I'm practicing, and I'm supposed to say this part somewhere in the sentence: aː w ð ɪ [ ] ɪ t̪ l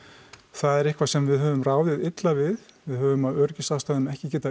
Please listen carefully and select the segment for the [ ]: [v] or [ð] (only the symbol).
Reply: ð